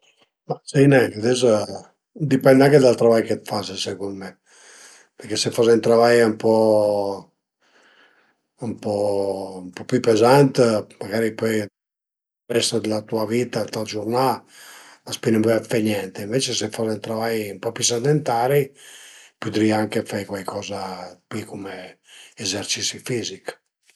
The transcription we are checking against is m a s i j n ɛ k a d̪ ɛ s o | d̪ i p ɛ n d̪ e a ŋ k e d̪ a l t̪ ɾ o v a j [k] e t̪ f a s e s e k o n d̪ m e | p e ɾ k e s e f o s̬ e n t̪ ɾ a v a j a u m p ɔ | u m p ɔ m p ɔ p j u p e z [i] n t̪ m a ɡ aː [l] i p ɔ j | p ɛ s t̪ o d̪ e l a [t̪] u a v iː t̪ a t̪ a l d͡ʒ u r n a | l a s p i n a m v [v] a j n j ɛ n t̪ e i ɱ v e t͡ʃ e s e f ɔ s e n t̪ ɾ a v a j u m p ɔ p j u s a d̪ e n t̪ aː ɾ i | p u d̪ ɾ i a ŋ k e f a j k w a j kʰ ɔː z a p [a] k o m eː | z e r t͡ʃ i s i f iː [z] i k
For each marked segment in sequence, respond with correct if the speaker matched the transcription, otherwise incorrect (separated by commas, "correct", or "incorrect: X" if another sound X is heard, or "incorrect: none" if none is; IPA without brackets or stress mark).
correct, incorrect: a, incorrect: ɾ, correct, incorrect: f, incorrect: i, correct